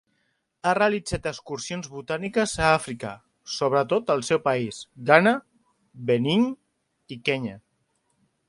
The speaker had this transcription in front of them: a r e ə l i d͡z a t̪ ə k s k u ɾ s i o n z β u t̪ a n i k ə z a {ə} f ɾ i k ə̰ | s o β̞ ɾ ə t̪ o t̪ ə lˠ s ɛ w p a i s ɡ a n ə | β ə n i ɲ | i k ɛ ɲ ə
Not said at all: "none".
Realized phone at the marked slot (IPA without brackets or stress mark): a